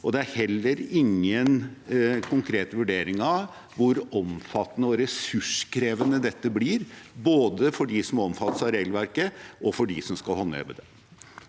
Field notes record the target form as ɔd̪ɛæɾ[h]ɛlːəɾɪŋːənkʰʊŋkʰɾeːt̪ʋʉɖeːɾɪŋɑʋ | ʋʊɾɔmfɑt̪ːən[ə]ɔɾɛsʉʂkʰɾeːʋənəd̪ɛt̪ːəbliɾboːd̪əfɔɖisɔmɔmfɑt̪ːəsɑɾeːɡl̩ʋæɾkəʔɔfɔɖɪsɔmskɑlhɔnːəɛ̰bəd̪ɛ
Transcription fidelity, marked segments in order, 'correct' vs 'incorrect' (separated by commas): correct, correct